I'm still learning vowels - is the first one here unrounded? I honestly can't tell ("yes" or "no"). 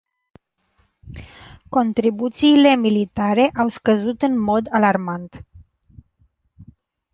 no